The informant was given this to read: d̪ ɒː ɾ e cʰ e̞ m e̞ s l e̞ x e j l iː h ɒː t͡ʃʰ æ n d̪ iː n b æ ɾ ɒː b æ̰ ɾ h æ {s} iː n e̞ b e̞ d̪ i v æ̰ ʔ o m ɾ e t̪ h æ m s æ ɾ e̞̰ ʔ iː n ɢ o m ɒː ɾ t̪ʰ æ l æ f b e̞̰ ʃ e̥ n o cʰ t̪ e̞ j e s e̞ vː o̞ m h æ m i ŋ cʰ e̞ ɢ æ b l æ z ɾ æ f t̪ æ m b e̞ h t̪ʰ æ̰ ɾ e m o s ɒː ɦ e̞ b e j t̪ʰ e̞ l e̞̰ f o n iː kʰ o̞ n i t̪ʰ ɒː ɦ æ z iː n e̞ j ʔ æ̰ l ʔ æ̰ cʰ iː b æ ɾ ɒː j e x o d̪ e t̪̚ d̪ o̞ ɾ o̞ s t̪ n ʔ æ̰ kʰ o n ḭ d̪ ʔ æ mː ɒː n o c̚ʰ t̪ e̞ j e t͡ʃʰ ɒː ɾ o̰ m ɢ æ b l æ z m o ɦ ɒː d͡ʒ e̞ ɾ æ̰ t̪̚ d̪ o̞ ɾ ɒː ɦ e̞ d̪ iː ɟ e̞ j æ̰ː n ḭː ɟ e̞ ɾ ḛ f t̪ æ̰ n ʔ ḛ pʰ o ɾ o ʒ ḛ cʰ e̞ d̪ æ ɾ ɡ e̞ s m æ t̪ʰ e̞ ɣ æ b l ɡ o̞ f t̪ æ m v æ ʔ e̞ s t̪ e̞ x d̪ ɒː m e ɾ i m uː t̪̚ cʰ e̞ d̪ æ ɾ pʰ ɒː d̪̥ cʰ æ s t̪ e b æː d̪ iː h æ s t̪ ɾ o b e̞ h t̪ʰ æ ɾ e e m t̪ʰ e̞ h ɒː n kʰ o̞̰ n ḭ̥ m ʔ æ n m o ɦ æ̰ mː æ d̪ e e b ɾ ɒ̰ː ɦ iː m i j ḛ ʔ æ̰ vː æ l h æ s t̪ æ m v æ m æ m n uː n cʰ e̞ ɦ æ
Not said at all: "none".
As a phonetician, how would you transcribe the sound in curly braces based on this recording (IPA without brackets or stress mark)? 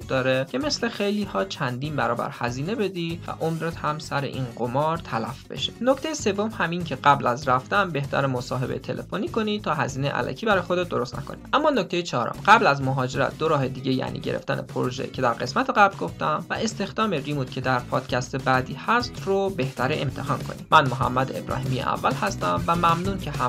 z